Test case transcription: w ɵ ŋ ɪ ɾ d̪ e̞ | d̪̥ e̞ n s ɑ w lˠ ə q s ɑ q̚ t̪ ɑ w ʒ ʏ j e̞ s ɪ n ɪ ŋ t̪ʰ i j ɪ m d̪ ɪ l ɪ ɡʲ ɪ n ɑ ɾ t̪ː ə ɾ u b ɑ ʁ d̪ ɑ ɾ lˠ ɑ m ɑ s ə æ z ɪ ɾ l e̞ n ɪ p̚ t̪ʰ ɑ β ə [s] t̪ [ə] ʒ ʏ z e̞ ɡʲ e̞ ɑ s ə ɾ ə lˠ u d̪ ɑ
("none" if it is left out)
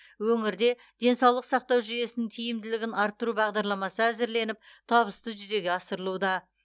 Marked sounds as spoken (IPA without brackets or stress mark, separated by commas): s, ə